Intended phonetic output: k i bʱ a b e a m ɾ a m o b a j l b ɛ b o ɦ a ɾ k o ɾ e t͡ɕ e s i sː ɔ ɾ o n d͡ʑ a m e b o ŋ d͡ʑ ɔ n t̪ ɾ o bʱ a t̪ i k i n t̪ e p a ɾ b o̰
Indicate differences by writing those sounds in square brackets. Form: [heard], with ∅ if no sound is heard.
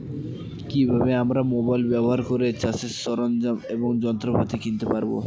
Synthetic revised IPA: k i bʱ a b e a m ɾ a m o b a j l b ɛ b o ɦ a ɾ k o ɾ e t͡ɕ [a] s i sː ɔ ɾ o n d͡ʑ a m e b o ŋ d͡ʑ ɔ n t̪ ɾ o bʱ a t̪ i k i n t̪ e p a ɾ b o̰

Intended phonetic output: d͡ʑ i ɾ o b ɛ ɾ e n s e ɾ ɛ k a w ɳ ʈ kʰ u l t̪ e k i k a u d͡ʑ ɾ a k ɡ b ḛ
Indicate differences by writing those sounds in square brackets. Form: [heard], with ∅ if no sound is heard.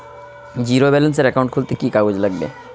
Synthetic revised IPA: d͡ʑ i ɾ o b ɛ [l] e n s e ɾ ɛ k a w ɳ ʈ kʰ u l t̪ e k i k a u d͡ʑ [l] a [∅] ɡ b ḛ

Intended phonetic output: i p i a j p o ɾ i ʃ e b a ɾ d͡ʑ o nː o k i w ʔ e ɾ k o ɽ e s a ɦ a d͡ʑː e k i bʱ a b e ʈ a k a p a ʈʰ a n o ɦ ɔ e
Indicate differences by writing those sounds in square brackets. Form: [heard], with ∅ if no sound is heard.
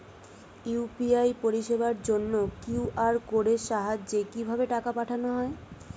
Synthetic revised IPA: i p i a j p o ɾ i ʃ e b a ɾ d͡ʑ o nː o k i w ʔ [a] ɾ k o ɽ e [ʃ] a ɦ a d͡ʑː e k i bʱ a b e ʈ a k a p a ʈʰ a n o ɦ ɔ e

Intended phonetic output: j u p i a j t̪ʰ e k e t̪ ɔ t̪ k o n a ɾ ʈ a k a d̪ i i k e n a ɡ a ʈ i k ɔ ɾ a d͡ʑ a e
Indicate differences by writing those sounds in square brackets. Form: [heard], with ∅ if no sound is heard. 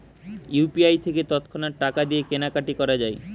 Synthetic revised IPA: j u p i a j t̪ʰ e k e t̪ ɔ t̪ [kʰ] o n a ɾ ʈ a k a d̪ i [e] k e n a [k] a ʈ i k ɔ ɾ a d͡ʑ a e

